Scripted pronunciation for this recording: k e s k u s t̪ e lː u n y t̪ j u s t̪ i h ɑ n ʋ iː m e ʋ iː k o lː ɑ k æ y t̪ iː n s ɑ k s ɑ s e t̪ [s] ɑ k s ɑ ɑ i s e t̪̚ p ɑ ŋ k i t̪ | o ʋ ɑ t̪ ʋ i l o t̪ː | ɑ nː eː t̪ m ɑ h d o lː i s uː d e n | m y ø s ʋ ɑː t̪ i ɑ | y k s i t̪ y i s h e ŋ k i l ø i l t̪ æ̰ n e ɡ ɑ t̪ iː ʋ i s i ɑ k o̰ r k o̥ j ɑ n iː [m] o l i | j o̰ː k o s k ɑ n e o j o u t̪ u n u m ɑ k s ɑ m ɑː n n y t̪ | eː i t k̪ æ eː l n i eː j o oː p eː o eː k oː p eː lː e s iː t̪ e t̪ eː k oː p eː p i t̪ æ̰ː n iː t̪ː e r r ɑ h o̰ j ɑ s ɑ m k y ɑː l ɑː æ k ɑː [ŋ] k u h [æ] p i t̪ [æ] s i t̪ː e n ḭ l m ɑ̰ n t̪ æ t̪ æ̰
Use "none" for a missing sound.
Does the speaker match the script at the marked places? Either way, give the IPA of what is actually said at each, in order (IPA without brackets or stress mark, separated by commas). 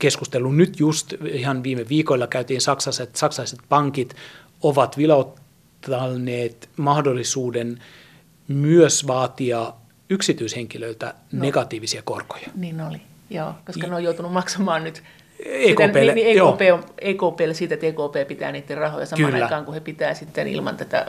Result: s, n, ŋ, e, æː